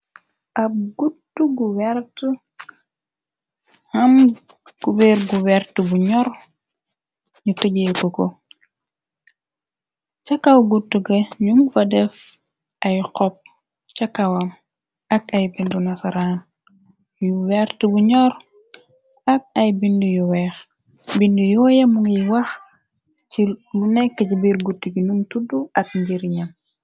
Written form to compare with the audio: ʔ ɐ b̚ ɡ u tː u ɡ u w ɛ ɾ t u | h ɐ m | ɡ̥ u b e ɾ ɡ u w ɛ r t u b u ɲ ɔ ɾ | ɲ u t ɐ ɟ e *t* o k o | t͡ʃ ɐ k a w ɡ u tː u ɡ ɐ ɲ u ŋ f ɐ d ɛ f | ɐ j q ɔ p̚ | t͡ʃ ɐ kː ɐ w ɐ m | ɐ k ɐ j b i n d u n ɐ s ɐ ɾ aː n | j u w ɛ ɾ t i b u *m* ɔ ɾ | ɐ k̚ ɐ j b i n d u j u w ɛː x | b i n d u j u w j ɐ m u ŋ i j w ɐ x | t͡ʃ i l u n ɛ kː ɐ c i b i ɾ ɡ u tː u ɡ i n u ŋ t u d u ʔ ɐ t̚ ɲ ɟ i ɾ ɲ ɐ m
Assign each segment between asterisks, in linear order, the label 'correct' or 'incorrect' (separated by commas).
incorrect, incorrect